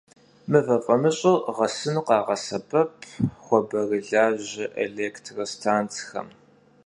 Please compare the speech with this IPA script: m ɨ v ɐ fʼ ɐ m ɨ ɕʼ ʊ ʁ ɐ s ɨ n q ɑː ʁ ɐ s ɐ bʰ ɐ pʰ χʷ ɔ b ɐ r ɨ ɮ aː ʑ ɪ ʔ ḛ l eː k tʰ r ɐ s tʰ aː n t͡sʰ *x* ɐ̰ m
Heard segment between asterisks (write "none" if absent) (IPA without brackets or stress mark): x